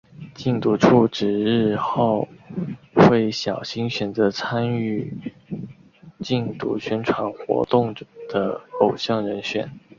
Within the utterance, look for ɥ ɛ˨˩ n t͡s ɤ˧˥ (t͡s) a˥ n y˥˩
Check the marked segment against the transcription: incorrect: t͡sʰ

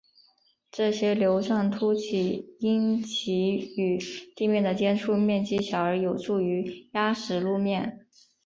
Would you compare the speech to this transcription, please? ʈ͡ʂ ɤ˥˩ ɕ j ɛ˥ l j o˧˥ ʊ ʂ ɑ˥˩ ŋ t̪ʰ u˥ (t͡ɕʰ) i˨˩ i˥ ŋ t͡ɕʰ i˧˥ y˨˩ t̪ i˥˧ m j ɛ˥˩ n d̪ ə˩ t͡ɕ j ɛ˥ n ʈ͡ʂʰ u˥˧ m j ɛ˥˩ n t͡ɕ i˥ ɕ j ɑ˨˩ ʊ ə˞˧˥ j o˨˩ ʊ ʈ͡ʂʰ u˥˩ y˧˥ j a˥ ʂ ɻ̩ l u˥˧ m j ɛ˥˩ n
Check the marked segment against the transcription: correct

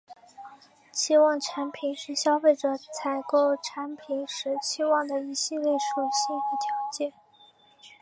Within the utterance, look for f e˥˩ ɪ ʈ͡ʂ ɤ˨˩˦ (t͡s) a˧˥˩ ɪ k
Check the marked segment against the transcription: incorrect: t͡sʰ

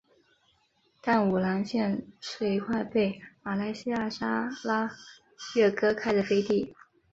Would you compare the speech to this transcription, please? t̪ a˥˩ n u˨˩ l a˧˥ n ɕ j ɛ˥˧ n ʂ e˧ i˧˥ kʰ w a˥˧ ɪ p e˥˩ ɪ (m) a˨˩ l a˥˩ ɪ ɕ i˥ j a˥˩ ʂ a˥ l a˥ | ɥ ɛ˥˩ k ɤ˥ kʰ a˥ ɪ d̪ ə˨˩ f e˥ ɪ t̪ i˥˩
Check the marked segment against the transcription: correct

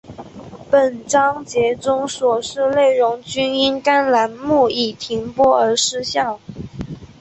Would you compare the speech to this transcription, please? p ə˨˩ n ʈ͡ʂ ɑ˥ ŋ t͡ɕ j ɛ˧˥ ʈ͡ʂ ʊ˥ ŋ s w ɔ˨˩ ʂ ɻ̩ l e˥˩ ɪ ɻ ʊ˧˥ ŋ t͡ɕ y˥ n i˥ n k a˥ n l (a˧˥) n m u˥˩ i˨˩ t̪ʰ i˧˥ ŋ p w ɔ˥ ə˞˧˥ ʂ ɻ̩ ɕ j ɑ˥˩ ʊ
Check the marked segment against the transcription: correct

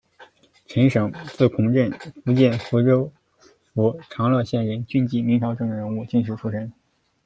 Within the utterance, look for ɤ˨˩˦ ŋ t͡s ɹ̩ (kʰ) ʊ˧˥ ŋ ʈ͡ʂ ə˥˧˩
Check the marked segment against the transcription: correct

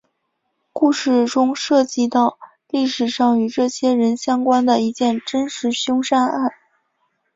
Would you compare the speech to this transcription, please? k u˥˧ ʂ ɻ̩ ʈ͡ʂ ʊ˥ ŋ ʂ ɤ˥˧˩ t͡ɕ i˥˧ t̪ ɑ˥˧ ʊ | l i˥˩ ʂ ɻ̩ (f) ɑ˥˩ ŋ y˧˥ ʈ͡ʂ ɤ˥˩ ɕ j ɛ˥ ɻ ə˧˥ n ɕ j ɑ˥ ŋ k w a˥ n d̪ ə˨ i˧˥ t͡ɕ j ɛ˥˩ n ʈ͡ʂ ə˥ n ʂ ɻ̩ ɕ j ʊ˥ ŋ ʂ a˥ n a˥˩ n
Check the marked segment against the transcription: incorrect: ʂ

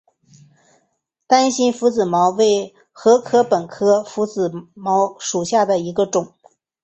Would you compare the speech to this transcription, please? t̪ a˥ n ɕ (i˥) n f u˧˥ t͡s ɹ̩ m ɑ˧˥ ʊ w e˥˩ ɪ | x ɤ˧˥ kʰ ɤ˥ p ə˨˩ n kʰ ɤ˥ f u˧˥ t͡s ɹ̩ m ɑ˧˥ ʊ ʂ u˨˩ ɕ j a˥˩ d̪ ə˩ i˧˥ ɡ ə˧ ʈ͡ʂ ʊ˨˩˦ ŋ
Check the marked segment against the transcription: correct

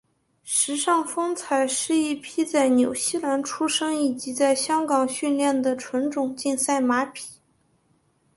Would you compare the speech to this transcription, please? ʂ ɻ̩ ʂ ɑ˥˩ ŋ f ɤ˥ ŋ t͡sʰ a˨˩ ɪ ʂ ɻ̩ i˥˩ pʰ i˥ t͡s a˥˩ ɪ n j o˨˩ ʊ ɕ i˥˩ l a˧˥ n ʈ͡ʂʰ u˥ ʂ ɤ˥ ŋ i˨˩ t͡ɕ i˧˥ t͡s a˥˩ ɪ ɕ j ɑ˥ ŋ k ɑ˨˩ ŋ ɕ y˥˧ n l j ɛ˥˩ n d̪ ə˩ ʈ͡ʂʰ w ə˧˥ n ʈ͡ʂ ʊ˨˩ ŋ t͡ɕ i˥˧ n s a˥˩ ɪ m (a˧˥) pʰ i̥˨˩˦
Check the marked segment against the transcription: correct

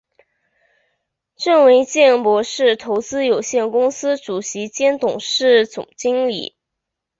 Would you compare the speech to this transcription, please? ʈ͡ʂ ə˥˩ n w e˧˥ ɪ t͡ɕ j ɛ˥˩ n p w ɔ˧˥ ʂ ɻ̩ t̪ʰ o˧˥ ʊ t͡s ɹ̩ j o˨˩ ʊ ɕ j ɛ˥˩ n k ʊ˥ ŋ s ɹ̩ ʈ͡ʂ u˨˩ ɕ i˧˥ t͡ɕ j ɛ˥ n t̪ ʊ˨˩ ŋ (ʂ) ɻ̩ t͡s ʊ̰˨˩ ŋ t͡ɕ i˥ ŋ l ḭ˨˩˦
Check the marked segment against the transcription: correct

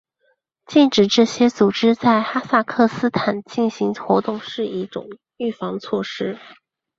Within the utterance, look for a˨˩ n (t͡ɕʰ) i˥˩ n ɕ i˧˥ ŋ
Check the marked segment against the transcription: incorrect: t͡ɕ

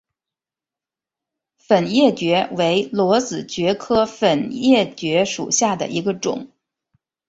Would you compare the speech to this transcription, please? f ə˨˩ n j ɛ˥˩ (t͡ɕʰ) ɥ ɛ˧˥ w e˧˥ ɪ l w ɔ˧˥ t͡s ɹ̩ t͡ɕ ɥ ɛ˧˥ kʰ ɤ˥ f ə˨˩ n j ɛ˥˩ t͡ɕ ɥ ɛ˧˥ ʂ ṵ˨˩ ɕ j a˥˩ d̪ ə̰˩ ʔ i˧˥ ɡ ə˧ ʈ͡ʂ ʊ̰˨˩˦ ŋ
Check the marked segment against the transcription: incorrect: t͡ɕ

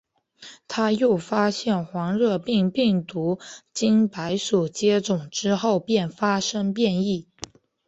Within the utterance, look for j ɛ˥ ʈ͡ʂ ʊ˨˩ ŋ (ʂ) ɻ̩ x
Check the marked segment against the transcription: incorrect: ʈ͡ʂ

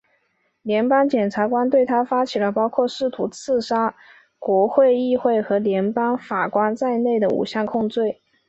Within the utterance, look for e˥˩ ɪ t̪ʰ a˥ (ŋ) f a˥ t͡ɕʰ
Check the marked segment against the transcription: incorrect: none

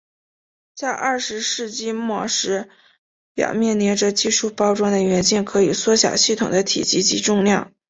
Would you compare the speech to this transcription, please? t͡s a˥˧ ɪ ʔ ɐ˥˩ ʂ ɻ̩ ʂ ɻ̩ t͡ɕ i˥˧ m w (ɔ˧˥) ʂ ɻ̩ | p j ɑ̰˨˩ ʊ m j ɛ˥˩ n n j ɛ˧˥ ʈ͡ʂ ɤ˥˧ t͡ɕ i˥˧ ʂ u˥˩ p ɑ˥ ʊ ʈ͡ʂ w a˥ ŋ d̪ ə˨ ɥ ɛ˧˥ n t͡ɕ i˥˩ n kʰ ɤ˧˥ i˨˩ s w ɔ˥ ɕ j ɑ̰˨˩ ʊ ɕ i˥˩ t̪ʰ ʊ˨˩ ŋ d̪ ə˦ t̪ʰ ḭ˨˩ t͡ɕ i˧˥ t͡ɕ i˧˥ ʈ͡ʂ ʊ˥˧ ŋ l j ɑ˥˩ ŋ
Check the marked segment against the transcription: incorrect: ɔ˥˩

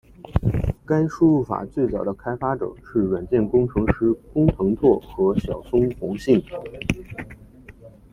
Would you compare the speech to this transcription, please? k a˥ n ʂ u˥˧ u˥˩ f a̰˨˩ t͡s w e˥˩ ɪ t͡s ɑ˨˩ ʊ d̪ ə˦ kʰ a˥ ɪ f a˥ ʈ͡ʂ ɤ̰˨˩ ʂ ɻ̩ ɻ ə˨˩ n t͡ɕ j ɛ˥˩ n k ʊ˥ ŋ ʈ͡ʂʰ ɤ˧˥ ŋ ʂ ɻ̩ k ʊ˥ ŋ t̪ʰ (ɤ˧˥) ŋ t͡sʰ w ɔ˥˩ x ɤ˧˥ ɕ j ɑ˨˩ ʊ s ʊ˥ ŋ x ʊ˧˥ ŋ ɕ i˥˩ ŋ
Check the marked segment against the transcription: correct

